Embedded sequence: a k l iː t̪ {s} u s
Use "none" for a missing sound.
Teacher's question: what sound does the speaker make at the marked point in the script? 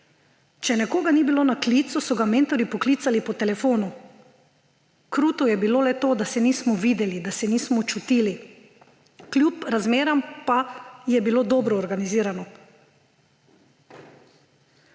s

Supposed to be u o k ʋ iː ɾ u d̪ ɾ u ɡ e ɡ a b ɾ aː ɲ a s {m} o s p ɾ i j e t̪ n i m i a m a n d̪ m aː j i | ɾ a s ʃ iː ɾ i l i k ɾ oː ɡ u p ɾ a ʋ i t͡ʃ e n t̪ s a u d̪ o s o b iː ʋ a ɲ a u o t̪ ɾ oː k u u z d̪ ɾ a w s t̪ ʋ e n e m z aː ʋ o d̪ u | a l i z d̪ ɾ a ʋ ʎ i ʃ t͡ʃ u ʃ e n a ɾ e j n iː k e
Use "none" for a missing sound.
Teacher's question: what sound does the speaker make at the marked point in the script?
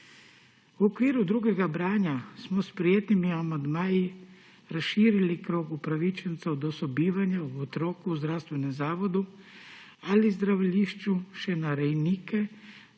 m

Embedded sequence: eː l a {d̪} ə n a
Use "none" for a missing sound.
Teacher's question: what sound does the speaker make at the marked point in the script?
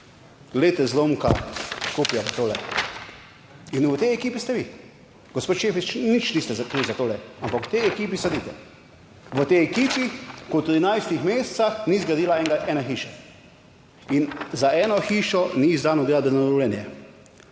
d̪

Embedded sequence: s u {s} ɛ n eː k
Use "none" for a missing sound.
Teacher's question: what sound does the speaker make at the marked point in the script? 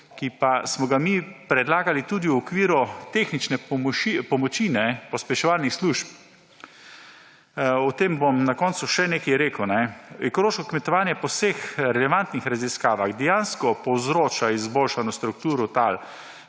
ʃ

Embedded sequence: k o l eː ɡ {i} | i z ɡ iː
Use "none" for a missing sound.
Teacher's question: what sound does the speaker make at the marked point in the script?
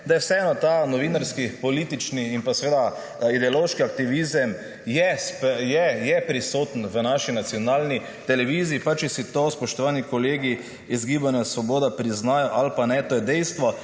i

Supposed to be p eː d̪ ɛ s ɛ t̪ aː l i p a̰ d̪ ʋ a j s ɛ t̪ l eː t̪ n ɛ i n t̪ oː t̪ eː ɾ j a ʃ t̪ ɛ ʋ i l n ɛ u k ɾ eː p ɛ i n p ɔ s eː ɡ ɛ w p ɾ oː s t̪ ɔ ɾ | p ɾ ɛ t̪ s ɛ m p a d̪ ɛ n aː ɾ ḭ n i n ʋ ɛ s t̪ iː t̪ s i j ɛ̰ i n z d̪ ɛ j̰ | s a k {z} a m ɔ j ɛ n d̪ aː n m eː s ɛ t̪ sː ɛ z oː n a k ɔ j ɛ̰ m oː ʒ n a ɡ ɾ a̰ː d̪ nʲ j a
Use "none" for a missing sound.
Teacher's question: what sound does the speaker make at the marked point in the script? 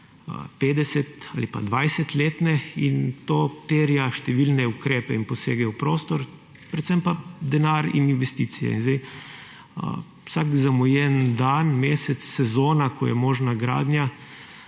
z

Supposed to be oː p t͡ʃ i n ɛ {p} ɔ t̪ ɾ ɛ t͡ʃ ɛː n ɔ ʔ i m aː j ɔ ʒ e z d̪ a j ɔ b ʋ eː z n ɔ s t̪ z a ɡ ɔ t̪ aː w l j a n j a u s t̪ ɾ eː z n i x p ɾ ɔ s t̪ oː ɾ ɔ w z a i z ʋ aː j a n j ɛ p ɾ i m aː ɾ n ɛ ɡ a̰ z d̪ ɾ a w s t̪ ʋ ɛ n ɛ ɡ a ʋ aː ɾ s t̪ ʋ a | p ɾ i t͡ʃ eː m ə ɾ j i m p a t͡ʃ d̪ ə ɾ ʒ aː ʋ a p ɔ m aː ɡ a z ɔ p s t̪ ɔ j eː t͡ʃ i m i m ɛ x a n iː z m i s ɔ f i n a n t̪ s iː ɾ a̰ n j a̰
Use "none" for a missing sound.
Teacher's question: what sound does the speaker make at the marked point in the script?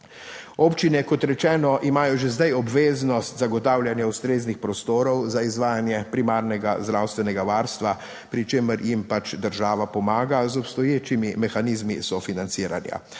k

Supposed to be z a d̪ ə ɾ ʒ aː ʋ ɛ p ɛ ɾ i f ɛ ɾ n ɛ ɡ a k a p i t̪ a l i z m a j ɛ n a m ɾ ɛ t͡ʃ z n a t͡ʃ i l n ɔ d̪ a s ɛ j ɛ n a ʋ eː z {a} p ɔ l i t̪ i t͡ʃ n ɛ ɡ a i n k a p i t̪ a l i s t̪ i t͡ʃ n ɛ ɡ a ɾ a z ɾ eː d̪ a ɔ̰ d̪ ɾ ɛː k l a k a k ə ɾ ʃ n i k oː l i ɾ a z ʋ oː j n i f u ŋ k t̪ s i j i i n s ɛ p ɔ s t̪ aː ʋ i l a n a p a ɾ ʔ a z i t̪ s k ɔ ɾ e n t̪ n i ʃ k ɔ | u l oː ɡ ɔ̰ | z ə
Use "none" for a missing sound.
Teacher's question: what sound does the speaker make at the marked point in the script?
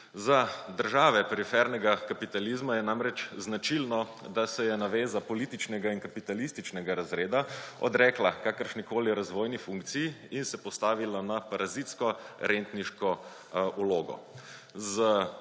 a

